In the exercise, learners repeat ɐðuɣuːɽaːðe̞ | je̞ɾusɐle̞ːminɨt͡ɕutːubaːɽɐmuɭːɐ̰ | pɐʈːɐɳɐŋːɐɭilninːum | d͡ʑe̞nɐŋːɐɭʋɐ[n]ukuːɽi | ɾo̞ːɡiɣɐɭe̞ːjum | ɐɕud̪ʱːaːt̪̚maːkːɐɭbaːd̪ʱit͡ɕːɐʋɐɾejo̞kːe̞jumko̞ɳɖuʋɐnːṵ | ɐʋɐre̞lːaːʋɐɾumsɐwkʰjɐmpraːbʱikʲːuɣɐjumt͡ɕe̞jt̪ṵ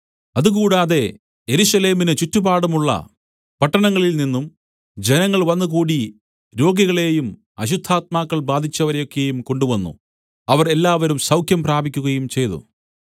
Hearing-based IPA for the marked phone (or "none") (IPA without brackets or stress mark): nː